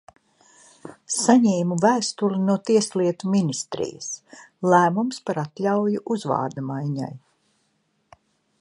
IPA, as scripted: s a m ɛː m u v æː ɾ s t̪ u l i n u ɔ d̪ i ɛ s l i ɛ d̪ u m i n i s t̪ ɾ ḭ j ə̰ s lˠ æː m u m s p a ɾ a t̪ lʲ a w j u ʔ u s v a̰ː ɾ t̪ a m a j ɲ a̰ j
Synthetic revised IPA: s a ɲ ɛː m u v æː s t̪ u l i n u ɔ t̪ i ɛ s l i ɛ t̪ u m i n i s t̪ ɾ ḭ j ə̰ s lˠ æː m u m s p a ɾ a t̪ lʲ a w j u ʔ u z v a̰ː ɾ d̪ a m a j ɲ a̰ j